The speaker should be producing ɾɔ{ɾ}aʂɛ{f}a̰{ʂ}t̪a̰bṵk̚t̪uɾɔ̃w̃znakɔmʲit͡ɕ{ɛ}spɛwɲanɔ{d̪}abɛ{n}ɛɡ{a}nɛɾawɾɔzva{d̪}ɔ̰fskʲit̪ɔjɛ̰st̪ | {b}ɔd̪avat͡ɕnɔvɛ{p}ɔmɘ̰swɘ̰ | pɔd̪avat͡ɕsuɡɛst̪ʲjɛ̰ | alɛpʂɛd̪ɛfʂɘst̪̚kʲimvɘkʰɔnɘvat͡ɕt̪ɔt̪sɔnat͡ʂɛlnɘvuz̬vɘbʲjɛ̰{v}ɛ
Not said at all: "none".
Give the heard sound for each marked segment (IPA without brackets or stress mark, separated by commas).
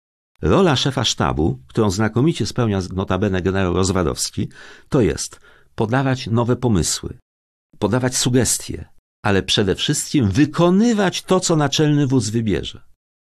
l, f, ʂ, ɛ, t̪, n, ɛ, d̪, p, p, ʐ